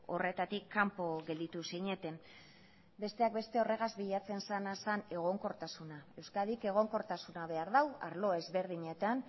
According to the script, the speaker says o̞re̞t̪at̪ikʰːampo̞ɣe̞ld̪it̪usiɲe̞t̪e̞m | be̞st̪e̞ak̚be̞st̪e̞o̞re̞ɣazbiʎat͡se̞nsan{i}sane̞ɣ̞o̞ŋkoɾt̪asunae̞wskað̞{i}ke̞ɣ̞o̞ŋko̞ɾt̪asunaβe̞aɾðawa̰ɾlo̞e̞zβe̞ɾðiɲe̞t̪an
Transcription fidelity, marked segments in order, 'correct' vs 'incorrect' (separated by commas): incorrect, correct